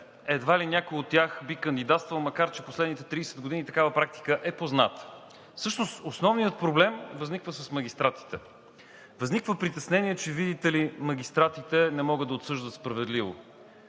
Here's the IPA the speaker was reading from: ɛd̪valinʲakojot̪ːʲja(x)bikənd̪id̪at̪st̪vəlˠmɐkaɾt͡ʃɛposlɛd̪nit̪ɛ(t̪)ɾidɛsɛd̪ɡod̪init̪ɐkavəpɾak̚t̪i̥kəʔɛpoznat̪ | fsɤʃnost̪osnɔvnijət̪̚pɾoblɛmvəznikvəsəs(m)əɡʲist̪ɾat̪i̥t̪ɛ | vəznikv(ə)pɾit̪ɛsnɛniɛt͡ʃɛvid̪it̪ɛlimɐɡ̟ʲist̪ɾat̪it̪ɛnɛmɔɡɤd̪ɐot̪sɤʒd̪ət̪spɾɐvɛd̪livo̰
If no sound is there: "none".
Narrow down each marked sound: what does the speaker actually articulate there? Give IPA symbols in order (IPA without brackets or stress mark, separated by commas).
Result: x, t̪, m, ə